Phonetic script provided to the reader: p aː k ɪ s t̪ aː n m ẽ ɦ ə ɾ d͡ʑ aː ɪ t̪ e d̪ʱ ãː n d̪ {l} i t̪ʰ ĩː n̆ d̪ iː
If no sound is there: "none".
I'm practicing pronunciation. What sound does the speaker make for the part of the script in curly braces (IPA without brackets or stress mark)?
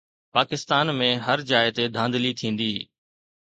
l